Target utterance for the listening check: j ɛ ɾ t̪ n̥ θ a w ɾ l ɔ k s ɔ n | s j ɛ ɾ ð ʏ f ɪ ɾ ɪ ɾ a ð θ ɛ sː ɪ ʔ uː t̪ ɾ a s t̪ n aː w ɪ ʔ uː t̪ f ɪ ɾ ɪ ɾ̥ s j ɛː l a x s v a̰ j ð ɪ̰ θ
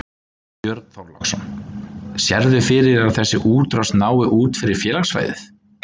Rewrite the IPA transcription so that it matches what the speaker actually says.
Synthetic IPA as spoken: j œ ɾ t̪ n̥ θ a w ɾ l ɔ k s ɔ n | s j ɛ ɾ ð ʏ f ɪ ɾ ɪ ɾ a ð θ ɛ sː ɪ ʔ uː t̪ ɾ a s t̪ n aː w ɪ ʔ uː t̪ f ɪ ɾ ɪ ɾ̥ f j ɛː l a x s v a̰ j ð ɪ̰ θ

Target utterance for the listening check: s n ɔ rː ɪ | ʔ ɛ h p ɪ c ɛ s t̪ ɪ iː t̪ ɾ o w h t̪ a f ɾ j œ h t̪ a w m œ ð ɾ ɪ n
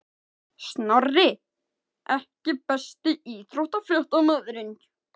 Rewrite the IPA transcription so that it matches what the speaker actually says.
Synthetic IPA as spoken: s n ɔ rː ɪ | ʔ ɛ h c ɪ p ɛ s t̪ ɪ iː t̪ ɾ o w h t̪ a f l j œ h t̪ a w m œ ð ɾ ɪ n

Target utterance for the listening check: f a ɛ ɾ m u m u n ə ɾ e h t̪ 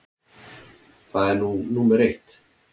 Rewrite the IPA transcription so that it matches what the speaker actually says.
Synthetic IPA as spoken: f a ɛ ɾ n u n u m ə ɾ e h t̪

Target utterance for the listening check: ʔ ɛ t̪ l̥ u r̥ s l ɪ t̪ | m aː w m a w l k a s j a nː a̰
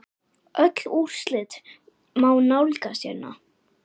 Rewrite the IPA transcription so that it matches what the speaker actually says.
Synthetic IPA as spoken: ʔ œ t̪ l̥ u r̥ s l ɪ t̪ | m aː w n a w l k a s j ɛ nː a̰

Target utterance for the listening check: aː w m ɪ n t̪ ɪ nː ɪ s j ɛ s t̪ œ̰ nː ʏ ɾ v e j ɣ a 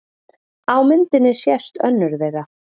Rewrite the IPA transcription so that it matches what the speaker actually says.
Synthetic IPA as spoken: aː w m ɪ n t̪ ɪ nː ɪ s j ɛ s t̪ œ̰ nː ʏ ɾ ð e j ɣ a

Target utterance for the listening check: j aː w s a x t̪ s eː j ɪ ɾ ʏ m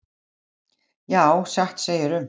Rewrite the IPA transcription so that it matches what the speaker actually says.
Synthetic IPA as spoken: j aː w s a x t̪ s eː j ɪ ɾ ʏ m

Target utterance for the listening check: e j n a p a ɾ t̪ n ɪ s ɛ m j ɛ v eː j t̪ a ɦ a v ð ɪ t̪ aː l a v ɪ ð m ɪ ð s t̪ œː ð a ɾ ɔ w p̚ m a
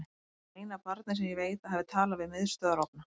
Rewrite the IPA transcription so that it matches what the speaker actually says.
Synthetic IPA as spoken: e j n a p a ɾ t̪ n ɪ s ɛ m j ɛ v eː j t̪ a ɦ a v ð ɪ t̪ʰ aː l a v ɪ ð m ɪ ð s t̪ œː ð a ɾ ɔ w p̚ n a

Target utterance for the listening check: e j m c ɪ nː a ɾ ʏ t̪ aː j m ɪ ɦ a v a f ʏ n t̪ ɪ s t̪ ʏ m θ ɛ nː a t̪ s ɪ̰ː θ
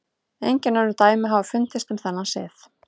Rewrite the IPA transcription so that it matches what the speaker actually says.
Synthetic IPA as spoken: e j ɲ c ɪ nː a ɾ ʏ t̪ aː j m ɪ ɦ a v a f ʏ n t̪ ɪ s t̪ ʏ m θ ɛ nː a s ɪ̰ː θ

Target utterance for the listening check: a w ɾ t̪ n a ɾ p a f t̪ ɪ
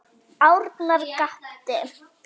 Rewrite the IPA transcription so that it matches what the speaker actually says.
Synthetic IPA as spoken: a w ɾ t̪ n a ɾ k a h t̪ ɪ

